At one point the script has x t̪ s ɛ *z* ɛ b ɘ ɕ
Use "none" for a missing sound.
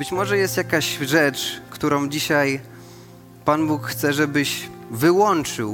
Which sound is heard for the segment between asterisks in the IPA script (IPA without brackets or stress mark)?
ʐ